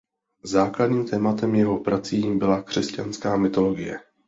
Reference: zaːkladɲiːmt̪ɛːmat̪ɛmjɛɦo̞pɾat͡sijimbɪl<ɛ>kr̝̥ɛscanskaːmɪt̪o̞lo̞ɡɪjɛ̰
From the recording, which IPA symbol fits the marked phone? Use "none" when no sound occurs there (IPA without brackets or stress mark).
a